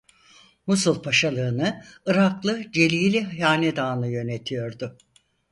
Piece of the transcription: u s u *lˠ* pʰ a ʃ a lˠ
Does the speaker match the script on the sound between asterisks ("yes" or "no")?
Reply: yes